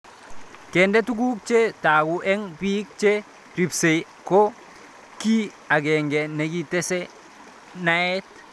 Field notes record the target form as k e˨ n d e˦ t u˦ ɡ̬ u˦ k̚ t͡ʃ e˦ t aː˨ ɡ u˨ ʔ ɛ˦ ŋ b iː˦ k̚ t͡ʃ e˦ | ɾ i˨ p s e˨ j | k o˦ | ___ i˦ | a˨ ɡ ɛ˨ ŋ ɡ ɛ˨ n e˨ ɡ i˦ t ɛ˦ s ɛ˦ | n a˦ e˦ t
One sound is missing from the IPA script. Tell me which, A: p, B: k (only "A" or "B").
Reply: B